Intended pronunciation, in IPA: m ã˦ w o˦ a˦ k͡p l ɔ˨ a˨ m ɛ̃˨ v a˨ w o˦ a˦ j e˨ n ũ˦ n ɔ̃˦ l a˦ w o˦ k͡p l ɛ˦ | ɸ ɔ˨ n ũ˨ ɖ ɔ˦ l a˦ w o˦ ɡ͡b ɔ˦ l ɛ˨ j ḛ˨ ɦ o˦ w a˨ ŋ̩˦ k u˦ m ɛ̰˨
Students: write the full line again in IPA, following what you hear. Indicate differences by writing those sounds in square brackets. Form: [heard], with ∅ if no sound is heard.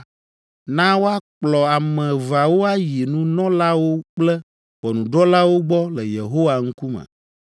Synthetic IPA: [n] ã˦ w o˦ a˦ k͡p l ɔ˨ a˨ m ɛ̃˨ v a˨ w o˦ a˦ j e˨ n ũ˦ n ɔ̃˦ l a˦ w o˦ k͡p l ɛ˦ | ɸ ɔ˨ n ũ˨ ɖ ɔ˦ l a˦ w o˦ ɡ͡b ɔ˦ l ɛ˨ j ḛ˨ ɦ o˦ w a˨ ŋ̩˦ k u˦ m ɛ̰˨

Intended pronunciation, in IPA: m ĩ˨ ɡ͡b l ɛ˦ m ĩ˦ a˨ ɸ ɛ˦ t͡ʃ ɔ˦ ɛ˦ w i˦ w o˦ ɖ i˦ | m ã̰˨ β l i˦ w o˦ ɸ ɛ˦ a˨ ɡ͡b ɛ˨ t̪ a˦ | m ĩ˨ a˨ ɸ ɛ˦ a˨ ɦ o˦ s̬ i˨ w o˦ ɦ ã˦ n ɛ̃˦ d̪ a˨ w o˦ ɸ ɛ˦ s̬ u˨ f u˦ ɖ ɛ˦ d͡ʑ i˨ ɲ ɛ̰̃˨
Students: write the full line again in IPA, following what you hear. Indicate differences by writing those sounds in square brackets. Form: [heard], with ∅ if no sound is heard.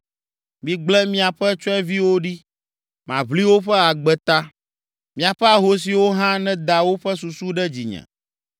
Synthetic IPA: m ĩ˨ ɡ͡b l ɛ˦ m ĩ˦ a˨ ɸ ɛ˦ t͡ʃ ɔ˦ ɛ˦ [v] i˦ w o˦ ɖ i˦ | m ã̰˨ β l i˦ w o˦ ɸ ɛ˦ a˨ ɡ͡b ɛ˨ t̪ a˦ | m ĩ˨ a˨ ɸ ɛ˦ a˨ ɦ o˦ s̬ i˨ w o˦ ɦ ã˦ n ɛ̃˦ d̪ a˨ w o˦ ɸ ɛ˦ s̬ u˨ [s] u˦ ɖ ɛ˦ d͡ʑ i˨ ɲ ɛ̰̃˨

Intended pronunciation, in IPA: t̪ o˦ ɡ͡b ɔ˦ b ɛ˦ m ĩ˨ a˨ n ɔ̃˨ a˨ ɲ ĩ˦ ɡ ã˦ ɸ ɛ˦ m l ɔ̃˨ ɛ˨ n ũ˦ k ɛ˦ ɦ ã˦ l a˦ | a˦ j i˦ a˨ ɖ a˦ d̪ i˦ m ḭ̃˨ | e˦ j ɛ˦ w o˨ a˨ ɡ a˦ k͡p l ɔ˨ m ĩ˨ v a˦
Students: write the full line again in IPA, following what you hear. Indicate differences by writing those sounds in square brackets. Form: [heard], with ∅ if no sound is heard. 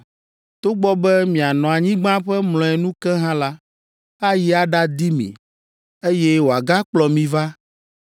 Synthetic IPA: t̪ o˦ ɡ͡b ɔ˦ b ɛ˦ m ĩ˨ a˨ n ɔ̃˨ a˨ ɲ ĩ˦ [ɡ͡b] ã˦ ɸ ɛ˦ m l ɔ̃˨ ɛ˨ n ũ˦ k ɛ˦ ɦ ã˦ l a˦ | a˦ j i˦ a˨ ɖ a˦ d̪ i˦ m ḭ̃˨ | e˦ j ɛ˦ w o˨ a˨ ɡ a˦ k͡p l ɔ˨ m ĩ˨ v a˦

